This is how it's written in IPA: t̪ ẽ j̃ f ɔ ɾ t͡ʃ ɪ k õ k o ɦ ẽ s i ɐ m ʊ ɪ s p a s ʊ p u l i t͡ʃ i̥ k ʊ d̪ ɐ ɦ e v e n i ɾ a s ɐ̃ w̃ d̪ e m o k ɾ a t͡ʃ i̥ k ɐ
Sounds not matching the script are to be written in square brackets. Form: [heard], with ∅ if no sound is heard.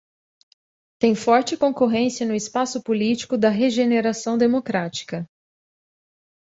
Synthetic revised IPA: t̪ ẽ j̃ f ɔ ɾ t͡ʃ ɪ k õ k o ɦ ẽ s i ɐ [n] ʊ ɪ s p a s ʊ p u l i t͡ʃ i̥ k ʊ d̪ ɐ ɦ e [ʒ] e n [e] ɾ a s ɐ̃ w̃ d̪ e m o k ɾ a t͡ʃ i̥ k ɐ